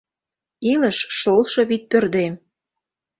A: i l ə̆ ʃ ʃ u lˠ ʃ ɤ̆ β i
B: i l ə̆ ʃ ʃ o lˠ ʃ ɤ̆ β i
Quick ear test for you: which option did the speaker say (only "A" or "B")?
B